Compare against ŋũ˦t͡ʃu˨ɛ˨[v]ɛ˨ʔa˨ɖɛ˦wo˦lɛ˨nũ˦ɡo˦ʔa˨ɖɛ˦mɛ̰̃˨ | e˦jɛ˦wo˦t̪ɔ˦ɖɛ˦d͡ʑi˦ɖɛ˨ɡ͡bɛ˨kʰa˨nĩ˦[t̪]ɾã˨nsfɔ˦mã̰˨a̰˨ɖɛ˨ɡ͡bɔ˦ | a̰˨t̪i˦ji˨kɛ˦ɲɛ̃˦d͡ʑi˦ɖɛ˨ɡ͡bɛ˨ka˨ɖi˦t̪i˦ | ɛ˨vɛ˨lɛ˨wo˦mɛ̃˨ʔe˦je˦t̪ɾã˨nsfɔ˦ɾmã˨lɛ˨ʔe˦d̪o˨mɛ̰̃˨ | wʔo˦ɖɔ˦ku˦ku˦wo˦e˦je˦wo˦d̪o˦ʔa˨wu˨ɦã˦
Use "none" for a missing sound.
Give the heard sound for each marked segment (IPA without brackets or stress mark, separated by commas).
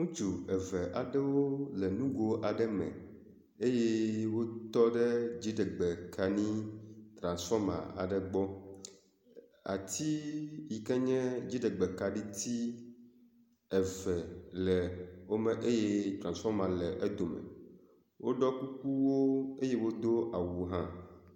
v, t̪